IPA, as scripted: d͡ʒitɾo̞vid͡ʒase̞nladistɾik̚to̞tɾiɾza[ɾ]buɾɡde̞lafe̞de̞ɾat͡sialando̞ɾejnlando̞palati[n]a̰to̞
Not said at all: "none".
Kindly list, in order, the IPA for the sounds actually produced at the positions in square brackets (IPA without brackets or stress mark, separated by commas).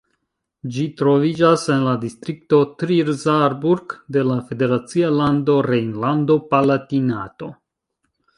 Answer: ɾ, n